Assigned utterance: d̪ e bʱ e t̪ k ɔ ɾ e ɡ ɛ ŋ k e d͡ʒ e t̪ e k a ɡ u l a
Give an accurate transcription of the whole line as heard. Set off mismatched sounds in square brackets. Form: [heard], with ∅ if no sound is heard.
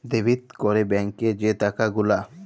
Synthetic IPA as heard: d̪ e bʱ [i] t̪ k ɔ ɾ e [b] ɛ ŋ k e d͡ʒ e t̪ [a] k a ɡ u l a